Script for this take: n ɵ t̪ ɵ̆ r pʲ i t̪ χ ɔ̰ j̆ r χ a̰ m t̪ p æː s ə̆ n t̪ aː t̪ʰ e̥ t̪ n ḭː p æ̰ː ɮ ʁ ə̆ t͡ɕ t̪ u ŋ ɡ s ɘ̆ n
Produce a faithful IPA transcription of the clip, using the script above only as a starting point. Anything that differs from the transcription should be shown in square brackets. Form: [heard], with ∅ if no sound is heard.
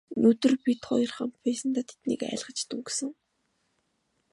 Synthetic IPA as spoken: n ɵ t̪ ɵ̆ r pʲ i t̪ χ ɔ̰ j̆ r χ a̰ m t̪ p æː s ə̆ n t̪ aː t̪ʰ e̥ t̪ n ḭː [k] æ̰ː ɮ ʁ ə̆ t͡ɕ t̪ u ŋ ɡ s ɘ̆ [ŋ]